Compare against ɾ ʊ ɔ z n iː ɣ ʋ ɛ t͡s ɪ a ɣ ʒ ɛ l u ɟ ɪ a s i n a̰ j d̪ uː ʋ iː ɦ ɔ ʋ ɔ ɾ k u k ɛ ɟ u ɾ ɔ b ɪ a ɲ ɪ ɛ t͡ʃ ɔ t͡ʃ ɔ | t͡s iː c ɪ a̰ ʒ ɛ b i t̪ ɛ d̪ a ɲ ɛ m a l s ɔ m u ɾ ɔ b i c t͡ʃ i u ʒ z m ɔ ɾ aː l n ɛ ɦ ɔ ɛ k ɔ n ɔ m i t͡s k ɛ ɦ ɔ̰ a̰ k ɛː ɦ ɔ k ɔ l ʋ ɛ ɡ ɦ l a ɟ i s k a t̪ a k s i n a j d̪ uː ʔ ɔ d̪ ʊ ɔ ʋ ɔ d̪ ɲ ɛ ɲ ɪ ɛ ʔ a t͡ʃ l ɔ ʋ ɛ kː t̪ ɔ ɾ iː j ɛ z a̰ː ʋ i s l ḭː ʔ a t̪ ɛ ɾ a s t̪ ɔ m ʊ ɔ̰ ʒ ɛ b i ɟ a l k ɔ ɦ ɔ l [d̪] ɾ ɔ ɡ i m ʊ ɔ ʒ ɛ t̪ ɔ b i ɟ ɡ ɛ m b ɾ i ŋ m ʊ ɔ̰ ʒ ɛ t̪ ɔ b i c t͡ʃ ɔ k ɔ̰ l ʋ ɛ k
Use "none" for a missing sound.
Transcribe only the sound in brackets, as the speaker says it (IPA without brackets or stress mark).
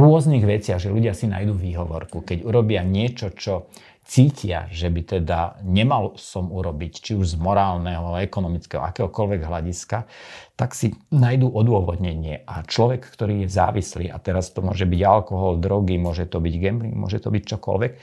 d̪